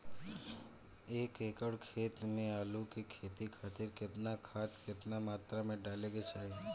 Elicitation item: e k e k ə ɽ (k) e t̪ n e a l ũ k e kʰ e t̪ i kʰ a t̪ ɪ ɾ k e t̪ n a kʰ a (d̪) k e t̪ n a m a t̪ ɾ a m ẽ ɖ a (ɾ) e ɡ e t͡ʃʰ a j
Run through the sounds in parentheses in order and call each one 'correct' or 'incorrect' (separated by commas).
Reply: incorrect, incorrect, incorrect